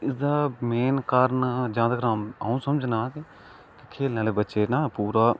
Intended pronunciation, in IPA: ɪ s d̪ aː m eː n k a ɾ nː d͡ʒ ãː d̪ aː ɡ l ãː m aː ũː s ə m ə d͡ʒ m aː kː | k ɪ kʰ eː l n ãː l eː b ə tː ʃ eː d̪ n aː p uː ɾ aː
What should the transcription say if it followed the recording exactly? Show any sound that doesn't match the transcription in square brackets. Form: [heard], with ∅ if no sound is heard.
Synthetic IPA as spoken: ɪ s d̪ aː m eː n k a ɾ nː d͡ʒ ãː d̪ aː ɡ [ɾ] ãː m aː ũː s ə m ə d͡ʒ [n] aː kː | k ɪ kʰ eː l n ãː l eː b ə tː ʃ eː [∅] n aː p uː ɾ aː